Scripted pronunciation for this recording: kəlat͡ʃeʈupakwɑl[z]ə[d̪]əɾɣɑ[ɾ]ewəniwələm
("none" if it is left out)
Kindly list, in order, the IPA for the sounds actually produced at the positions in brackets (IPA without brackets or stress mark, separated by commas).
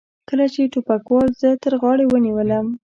z, t̪, ɽ